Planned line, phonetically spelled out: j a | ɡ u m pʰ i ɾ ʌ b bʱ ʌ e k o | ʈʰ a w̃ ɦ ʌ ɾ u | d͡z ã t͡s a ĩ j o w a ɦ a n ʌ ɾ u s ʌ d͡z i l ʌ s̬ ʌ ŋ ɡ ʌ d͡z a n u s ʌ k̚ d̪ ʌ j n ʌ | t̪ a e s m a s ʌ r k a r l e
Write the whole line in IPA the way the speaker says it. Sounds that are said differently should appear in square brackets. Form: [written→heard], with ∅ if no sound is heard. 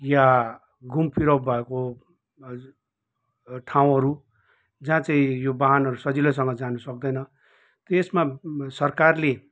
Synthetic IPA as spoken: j a | ɡ u m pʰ i ɾ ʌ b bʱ ʌ e k o | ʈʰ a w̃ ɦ ʌ ɾ u | d͡z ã t͡s a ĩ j o [w→b] a ɦ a n ʌ ɾ u s ʌ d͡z i l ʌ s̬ ʌ ŋ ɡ ʌ d͡z a n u s ʌ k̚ d̪ ʌ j n ʌ | t̪ [a→ʌ] e s m a s ʌ r k a r l e